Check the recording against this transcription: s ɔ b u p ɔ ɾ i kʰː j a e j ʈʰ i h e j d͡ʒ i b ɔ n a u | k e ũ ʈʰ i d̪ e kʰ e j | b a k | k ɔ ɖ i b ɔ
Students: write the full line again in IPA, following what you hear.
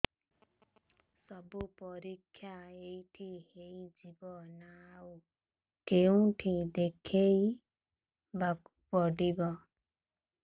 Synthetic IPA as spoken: s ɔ b u p ɔ ɾ i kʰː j a e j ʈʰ i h e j d͡ʒ i b ɔ n a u | k e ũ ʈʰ i d̪ e kʰ e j | b a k | p ɔ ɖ i b ɔ